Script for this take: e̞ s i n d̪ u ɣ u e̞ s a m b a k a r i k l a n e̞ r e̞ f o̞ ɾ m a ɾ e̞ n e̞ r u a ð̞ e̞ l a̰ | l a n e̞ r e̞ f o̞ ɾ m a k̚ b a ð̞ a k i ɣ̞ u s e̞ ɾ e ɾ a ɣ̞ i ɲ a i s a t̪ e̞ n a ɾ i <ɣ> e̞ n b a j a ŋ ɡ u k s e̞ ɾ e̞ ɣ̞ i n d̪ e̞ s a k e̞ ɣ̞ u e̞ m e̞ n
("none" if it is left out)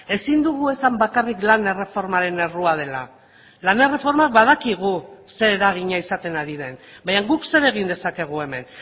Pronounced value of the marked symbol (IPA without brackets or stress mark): ð